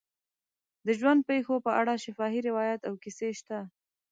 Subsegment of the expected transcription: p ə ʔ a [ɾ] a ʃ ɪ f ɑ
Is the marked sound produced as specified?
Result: no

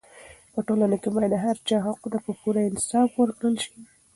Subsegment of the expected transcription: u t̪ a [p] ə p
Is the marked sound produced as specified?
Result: yes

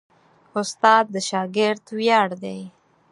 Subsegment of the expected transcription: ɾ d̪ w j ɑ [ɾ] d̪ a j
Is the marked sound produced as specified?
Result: no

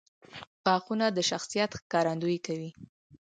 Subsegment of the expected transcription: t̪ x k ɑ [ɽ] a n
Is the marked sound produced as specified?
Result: no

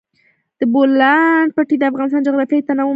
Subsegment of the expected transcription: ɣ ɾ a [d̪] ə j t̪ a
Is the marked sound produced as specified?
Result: no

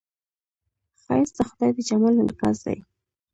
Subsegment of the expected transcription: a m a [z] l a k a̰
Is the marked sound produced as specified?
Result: no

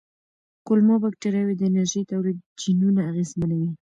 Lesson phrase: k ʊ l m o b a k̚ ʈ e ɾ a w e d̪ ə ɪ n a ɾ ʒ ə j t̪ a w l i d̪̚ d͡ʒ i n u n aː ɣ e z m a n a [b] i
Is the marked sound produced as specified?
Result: no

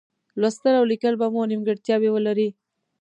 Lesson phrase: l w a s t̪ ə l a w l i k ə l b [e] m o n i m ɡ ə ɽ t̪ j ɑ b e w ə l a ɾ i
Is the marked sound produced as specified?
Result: no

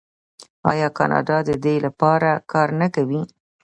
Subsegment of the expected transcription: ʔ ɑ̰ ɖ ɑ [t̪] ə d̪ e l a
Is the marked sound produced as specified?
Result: no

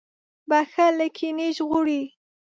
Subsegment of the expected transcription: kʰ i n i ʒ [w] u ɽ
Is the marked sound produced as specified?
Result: no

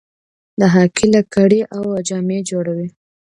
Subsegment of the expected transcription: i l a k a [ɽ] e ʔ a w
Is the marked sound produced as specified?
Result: yes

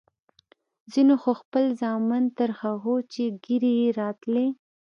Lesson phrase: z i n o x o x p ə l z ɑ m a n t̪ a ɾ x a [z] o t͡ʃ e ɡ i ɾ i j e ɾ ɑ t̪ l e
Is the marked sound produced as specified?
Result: no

